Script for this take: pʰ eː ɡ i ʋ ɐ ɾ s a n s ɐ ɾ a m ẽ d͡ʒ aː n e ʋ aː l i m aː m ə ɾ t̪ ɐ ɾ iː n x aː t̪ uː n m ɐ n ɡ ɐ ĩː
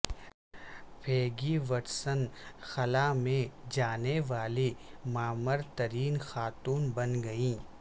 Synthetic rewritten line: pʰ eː ɡ i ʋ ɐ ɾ s ə n x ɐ l a m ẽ d͡ʒ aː n e ʋ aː l i m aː m ə ɾ t̪ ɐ ɾ iː n x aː t̪ uː n b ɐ n ɡ ɐ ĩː